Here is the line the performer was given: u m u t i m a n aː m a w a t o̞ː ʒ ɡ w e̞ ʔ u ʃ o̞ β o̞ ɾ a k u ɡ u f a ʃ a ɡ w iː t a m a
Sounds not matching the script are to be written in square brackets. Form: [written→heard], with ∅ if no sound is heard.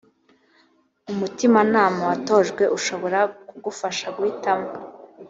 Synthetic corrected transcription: u m u t i m a n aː m a w a t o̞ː ʒ ɡ w e̞ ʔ u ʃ o̞ β o̞ ɾ a k u ɡ u f a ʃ a ɡ w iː t a m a